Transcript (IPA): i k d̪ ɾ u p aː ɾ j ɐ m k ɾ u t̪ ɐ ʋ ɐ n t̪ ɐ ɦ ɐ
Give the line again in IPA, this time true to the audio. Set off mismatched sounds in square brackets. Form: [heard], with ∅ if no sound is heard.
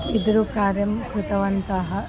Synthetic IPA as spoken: i [∅] d̪ ɾ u [k] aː ɾ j ɐ m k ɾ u t̪ ɐ ʋ ɐ n t̪ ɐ ɦ ɐ